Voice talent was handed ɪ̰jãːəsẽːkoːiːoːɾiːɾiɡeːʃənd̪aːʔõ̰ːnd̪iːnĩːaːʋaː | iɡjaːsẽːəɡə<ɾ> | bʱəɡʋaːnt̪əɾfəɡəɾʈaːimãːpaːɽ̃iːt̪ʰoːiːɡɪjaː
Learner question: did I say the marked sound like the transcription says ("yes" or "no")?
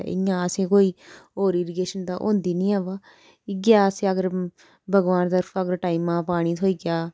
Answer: yes